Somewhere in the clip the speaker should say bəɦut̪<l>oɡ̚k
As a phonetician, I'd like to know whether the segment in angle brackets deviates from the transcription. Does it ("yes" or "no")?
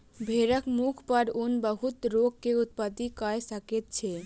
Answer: yes